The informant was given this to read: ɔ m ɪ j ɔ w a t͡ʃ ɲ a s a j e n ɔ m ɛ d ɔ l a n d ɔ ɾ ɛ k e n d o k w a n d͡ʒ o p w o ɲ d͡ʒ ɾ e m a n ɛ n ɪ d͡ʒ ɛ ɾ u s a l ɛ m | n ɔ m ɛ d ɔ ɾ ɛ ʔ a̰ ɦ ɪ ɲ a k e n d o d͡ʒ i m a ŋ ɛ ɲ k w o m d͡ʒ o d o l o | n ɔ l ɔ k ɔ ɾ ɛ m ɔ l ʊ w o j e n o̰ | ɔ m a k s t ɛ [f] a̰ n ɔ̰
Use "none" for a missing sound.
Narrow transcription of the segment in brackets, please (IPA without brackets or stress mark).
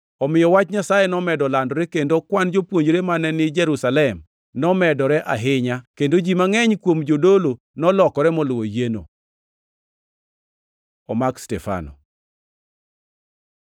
f